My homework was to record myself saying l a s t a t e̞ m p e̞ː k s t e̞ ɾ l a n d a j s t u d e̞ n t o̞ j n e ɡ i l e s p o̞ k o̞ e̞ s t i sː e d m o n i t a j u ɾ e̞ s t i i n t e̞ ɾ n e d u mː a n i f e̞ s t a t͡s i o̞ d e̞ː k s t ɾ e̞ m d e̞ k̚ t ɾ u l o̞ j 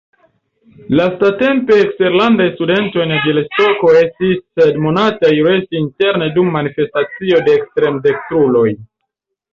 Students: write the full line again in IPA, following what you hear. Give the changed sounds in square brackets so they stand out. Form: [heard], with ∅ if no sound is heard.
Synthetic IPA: l a s t a t e̞ m p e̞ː k s t e̞ ɾ l a n d a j s t u d e̞ n t o̞ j n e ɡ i l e s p o̞ k o̞ e̞ s t i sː e d m o n [a] t a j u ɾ e̞ s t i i n t e̞ ɾ n e d u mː a n i f e̞ s t a t͡s i o̞ d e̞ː k s t ɾ e̞ m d e̞ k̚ t ɾ u l o̞ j